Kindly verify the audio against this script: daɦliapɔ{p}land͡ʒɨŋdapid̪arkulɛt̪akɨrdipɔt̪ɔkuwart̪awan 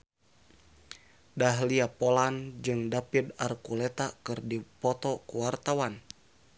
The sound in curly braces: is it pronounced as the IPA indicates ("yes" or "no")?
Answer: no